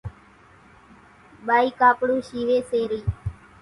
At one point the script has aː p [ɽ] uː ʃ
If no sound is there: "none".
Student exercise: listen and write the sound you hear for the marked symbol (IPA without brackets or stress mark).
ɽ